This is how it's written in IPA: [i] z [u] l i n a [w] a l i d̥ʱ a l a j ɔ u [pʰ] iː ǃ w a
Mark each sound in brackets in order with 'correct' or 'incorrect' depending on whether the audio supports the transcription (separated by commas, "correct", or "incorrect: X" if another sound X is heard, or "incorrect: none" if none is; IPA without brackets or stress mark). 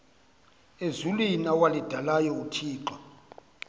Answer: incorrect: e, correct, correct, incorrect: tʰ